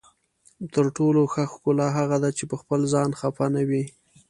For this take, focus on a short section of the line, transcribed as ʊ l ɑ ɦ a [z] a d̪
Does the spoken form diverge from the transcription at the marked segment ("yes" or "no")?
yes